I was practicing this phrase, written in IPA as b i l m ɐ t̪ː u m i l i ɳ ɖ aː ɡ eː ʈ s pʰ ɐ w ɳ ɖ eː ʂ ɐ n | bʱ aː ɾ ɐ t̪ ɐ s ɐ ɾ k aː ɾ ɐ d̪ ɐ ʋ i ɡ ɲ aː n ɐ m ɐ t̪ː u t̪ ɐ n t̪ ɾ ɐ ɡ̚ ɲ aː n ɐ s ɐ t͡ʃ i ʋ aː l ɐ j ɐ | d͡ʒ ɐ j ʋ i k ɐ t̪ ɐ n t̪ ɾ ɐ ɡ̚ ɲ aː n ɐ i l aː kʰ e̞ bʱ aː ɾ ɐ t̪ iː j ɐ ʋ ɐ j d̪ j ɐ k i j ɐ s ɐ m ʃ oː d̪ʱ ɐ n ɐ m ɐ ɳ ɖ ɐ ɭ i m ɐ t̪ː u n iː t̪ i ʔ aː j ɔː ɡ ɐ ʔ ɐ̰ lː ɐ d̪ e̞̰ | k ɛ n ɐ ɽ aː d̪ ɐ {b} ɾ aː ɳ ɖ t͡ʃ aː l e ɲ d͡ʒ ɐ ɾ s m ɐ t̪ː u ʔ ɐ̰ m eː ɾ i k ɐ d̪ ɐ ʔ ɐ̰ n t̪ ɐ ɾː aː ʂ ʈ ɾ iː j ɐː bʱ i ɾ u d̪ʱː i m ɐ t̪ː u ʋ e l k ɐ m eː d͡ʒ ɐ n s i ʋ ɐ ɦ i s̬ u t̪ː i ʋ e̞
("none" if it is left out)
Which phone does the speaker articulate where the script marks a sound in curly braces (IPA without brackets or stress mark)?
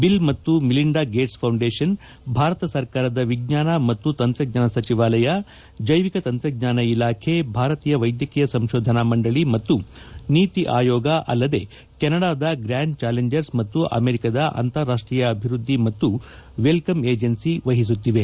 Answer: ɡ